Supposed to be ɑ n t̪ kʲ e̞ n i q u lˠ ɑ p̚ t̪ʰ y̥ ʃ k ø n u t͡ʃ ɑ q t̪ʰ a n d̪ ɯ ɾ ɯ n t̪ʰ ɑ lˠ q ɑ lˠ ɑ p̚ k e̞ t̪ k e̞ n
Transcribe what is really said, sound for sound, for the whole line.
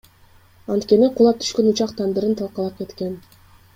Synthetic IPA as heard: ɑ n t̪ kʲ e̞ n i q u lˠ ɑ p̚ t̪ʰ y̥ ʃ k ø n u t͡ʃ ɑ q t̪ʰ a n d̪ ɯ ɾ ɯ n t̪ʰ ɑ lˠ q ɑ lˠ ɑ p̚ k e̞ t̪ k e̞ n